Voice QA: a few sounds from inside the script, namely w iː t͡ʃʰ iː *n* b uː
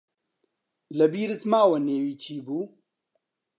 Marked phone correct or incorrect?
incorrect: none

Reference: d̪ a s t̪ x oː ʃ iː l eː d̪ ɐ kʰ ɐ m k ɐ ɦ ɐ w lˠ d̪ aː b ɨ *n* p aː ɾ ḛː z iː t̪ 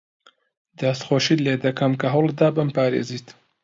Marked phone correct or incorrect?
incorrect: m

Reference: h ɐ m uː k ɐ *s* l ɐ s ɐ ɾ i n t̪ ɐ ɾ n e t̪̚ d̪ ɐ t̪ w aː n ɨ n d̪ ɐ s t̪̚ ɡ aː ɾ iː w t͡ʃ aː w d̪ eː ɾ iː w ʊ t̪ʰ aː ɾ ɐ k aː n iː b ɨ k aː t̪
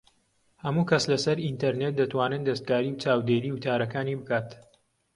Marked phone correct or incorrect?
correct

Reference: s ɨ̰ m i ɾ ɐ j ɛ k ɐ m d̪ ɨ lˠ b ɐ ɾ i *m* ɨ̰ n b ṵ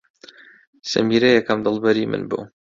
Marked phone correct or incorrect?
correct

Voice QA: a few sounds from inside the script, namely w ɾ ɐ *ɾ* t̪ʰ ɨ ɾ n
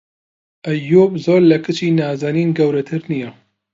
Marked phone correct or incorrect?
incorrect: none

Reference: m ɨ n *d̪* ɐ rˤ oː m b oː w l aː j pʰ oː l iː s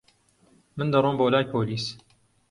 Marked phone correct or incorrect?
correct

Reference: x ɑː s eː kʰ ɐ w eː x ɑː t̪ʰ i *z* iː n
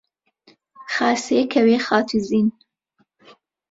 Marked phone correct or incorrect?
correct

